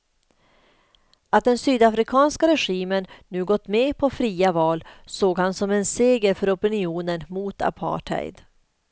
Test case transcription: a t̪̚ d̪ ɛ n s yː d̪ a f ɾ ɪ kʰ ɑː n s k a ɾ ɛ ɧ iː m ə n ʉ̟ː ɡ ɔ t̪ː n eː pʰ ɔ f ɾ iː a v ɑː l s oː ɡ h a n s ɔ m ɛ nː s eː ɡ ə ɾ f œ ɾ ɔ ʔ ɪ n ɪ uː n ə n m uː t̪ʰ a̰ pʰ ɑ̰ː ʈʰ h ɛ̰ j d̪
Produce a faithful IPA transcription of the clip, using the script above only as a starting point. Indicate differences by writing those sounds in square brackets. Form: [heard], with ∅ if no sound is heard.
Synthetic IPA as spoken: a t̪̚ d̪ ɛ n s yː d̪ a f ɾ ɪ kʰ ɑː n s k a ɾ ɛ ɧ iː m ə [nː] ʉ̟ː ɡ ɔ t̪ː [m] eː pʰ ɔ f ɾ iː a v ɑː l s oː ɡ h a n s ɔ m ɛ [n] s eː ɡ ə ɾ f œ ɾ ɔ [p] ɪ n ɪ uː n ə n m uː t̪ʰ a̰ pʰ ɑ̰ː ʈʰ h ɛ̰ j d̪

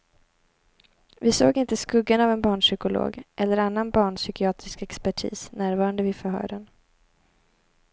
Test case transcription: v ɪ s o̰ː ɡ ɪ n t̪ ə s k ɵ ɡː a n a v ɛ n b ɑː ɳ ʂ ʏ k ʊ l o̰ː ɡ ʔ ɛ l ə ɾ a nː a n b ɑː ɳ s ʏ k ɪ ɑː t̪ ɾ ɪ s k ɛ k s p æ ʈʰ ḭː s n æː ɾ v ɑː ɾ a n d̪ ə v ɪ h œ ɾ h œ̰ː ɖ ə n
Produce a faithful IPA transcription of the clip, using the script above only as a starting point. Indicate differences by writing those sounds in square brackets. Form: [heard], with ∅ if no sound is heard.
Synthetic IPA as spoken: v ɪ s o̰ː ɡ ɪ n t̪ ə s k ɵ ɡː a n a v ɛ n b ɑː ɳ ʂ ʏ k ʊ l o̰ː ɡ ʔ ɛ [lː] ə ɾ a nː a n b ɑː ɳ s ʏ k ɪ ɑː t̪ ɾ ɪ s k ɛ k s p æ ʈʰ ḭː s n æː ɾ v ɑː ɾ a n d̪ ə v ɪ [f] œ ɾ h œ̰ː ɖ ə n

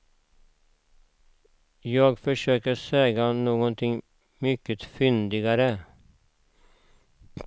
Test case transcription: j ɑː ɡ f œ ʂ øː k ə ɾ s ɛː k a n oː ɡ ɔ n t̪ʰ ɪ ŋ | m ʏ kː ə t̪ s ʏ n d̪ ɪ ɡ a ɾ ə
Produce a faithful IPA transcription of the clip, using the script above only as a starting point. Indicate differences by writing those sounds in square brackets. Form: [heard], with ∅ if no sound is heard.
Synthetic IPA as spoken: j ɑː ɡ f œ ʂ øː k ə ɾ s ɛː [ɡ] a n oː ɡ ɔ n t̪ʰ ɪ ŋ | m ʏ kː ə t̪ [f] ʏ n d̪ ɪ ɡ a ɾ ə

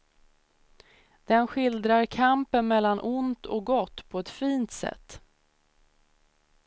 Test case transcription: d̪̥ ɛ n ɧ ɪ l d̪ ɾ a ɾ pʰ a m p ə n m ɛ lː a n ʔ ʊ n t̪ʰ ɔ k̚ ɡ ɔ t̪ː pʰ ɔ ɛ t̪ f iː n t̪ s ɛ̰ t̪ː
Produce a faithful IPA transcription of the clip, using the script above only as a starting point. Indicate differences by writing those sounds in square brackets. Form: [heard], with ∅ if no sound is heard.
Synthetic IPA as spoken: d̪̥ ɛ n ɧ ɪ l d̪ ɾ a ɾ [kʰ] a m p ə n m ɛ lː a n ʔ ʊ n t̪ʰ ɔ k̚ ɡ ɔ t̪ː pʰ ɔ ɛ t̪ f iː n t̪ s ɛ̰ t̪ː

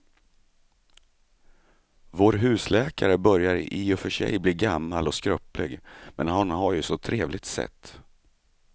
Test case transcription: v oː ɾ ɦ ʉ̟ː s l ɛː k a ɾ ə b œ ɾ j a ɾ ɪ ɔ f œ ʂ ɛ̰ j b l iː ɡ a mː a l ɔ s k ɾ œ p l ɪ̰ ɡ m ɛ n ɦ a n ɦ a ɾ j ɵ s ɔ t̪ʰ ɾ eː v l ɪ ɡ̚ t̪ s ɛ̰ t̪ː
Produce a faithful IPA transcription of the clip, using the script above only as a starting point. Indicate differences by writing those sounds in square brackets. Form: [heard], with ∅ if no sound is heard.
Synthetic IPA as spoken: v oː ɾ ɦ ʉ̟ː s l ɛː k a ɾ ə b œ ɾ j a ɾ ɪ ɔ f œ ʂ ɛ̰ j b l iː ɡ a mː a l ɔ s k ɾ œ p l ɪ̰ ɡ m ɛ n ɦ a n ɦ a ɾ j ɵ s ɔ t̪ʰ ɾ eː v l ɪ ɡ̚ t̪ s ɛ̰ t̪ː

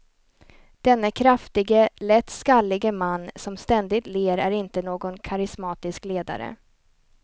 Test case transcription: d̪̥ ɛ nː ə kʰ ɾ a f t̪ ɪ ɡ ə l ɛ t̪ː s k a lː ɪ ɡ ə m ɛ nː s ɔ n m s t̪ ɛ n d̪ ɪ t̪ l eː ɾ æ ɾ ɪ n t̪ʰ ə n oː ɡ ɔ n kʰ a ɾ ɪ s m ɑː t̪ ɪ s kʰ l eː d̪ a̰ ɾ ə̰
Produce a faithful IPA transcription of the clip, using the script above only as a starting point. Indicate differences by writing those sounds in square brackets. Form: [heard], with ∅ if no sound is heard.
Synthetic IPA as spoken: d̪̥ ɛ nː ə kʰ ɾ a f t̪ ɪ ɡ ə l ɛ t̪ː s k a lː ɪ ɡ ə m [a] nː s ɔ [∅] m s t̪ ɛ n d̪ ɪ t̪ l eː ɾ æ ɾ ɪ n [t̪] ə n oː ɡ ɔ n kʰ a ɾ ɪ s m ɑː t̪ ɪ s [k] l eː d̪ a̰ ɾ ə̰

